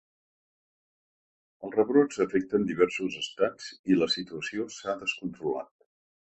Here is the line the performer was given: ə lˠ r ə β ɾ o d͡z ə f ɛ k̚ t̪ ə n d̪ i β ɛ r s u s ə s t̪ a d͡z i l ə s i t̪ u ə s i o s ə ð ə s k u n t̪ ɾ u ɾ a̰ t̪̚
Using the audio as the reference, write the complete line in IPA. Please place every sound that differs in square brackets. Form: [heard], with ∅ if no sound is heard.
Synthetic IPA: ə lˠ r ə β ɾ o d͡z ə f ɛ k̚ t̪ ə n d̪ i β ɛ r s u [z] ə s t̪ a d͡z i l ə s i t̪ u ə s i o s [a] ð ə s k u n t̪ ɾ u [l] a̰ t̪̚